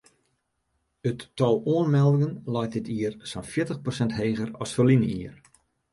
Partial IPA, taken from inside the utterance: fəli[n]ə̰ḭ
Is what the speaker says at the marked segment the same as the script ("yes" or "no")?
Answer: yes